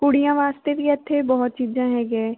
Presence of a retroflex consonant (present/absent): present